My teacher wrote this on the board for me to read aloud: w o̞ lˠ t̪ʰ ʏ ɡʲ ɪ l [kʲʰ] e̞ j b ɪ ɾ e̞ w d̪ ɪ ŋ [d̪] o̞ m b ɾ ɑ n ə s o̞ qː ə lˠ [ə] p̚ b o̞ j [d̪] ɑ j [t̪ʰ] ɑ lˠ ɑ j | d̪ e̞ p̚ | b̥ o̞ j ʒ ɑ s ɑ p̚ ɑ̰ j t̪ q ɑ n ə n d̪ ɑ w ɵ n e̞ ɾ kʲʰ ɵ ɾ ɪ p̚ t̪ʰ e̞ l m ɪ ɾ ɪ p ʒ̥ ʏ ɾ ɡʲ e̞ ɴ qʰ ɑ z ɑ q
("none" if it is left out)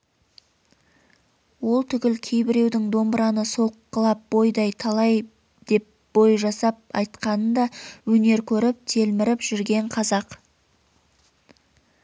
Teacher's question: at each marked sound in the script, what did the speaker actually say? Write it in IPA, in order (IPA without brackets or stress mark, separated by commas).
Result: kʲʰ, d̪, ɑ, d̪, t̪ʰ